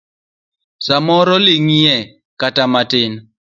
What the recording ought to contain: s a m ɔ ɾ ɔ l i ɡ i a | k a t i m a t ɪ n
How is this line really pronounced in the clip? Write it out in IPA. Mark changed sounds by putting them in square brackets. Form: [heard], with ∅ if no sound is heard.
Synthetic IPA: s a m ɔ ɾ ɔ l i [ŋ] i [ɛ] | k a t [a] m a t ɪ n